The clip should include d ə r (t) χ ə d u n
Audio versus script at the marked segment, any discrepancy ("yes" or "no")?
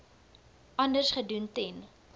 yes